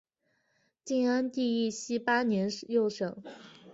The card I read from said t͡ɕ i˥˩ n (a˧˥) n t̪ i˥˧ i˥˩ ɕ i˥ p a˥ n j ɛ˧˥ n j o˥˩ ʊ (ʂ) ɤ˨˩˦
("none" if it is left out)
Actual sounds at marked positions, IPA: a˥, ʂ

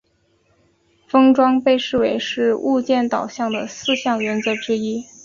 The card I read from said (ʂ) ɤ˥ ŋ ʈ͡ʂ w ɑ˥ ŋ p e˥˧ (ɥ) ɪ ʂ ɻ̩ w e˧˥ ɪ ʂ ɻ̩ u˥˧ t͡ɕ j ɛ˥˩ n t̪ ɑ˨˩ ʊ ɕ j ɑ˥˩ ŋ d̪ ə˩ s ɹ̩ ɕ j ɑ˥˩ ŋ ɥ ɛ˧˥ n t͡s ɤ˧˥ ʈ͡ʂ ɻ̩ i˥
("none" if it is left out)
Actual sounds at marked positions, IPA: f, none

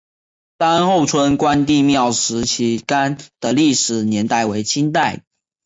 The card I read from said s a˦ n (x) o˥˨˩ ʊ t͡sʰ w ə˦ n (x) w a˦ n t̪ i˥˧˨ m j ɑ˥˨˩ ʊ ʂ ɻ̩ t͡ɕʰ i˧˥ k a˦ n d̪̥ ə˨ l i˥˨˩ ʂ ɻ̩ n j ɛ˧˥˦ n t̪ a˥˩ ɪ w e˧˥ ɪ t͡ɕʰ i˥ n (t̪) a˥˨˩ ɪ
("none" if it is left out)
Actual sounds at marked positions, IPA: x, k, t̪

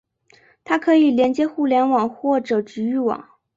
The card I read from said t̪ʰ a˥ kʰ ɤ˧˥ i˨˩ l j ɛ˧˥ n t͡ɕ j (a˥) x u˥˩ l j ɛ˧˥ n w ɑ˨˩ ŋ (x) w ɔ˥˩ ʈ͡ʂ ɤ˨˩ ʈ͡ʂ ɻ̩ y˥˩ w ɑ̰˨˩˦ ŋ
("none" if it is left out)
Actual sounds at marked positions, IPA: ɛ˥, x

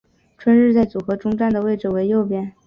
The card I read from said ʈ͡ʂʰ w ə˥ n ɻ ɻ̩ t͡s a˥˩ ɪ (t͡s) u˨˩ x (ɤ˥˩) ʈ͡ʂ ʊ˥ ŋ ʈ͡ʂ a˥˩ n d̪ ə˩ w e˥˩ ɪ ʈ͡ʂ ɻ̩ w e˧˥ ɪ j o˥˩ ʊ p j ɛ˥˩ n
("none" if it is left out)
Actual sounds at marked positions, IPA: t͡s, ɤ˧˥

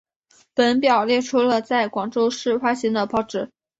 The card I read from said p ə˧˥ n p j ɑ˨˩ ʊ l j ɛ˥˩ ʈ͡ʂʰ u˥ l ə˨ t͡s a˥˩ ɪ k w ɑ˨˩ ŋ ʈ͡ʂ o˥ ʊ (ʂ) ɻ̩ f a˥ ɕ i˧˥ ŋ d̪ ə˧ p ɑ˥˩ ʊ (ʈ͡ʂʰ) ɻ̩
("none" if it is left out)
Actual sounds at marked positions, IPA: ʂ, ʈ͡ʂ

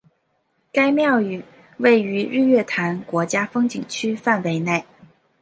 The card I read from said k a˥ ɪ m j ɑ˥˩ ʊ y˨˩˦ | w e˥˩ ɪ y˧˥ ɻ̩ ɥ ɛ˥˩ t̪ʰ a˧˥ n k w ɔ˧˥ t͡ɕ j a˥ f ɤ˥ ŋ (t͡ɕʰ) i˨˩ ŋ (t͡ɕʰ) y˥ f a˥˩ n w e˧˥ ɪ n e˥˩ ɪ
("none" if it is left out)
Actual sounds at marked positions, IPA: t͡ɕ, t͡ɕʰ

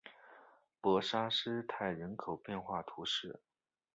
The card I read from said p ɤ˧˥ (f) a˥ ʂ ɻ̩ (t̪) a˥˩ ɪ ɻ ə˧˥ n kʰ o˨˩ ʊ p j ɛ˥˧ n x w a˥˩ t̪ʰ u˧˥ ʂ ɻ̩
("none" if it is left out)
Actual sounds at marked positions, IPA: ʂ, t̪ʰ

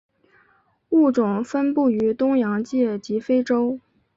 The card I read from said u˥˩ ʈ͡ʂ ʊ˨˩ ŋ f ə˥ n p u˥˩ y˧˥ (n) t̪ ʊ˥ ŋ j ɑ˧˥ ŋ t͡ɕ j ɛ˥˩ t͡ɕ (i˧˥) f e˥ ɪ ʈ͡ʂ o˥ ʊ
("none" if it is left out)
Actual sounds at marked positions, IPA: none, i˧˥

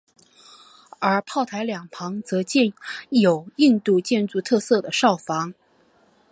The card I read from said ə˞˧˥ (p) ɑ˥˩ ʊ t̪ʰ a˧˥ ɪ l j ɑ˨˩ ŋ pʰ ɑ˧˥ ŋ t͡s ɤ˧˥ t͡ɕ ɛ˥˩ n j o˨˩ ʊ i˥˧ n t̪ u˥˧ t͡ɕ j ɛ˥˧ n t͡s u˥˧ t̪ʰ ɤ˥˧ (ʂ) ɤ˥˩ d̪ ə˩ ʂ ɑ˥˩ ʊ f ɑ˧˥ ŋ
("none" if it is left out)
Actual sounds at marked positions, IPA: pʰ, s

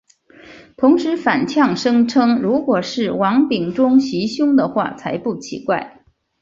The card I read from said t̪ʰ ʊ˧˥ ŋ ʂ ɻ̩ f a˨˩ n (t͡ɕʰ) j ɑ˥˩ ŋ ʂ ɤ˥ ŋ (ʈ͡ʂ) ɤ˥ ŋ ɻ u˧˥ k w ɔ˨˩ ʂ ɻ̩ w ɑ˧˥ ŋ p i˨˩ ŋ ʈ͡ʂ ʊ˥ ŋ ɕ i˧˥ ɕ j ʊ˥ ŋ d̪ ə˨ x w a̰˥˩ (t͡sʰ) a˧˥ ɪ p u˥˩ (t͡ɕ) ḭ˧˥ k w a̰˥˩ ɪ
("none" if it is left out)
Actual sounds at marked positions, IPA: t͡ɕʰ, ʈ͡ʂʰ, t͡sʰ, t͡ɕʰ

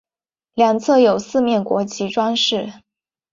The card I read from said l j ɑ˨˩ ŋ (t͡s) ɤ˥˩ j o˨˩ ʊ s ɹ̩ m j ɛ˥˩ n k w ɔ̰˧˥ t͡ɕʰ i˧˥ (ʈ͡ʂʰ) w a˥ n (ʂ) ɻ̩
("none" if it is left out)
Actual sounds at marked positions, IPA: t͡sʰ, ʈ͡ʂ, ʂ

